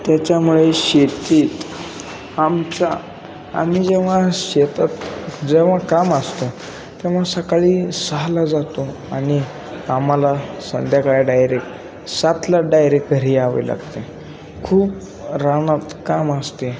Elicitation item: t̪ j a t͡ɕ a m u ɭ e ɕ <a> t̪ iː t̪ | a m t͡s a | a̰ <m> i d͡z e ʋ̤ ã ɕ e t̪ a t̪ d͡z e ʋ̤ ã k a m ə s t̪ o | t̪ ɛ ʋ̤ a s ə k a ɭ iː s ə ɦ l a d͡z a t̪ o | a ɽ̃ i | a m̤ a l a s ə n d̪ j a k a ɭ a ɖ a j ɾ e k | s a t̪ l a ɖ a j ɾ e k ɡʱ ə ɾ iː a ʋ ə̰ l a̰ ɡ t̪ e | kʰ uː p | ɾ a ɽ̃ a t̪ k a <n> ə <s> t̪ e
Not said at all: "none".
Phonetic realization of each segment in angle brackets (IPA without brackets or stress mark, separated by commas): e, m, m, s